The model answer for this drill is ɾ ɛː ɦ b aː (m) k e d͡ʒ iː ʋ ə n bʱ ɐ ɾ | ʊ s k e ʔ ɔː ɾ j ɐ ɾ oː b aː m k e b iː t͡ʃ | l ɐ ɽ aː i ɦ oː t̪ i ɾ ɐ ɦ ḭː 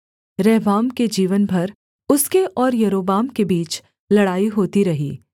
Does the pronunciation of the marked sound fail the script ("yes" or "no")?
no